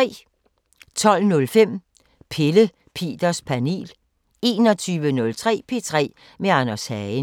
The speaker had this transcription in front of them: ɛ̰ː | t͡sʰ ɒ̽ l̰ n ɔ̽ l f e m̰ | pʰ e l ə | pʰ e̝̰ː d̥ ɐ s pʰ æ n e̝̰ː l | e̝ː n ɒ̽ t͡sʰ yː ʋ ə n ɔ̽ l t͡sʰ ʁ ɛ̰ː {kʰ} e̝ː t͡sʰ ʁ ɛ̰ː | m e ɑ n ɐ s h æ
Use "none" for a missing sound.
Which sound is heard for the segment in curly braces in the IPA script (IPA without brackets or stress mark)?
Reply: pʰ